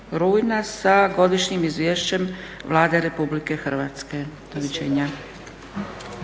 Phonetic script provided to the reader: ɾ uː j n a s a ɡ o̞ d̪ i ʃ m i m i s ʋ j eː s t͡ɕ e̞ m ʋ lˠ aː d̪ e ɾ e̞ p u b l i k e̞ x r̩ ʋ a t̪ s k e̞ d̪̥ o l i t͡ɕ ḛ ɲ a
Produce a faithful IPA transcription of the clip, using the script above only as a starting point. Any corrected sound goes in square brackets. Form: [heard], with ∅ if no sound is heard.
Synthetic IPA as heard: ɾ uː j n a s a ɡ o̞ d̪ i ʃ [ɲ] i m i [z] ʋ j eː [ʃ] t͡ɕ e̞ m ʋ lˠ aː d̪ e ɾ e̞ p u b l i k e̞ x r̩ ʋ a t̪ s k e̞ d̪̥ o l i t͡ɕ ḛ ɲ a